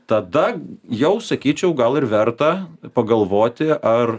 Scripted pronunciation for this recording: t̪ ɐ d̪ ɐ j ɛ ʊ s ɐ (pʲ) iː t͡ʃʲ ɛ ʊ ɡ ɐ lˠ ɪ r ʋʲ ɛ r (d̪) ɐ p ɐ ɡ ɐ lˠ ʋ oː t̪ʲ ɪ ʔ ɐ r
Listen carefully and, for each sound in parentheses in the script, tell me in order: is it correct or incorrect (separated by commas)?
incorrect, incorrect